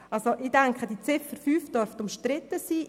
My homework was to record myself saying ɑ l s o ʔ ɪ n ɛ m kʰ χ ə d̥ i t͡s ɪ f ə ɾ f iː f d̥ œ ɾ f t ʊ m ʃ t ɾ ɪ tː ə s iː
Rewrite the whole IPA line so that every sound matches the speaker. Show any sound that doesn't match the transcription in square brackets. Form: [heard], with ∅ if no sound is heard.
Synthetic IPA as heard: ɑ l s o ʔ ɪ [d] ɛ [ŋ] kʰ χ ə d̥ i t͡s ɪ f ə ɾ f [yː] f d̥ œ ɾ f t ʊ m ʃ t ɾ ɪ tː ə s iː